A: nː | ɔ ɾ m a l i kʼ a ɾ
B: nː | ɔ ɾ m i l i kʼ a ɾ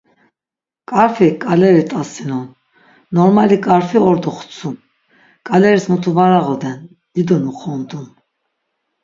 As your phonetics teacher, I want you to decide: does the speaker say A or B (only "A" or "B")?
A